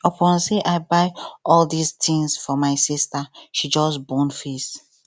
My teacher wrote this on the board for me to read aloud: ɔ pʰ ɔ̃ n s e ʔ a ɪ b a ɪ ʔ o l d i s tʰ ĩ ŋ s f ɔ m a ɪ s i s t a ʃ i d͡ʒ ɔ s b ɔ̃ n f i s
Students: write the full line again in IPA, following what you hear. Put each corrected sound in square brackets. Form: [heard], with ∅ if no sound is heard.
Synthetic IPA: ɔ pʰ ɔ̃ n s e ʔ a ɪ b a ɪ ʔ [ɔ] l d i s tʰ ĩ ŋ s f ɔ m a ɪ s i s t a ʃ i d͡ʒ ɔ s b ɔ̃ n f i s